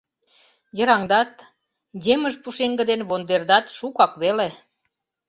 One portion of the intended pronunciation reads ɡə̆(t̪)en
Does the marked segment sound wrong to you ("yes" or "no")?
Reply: yes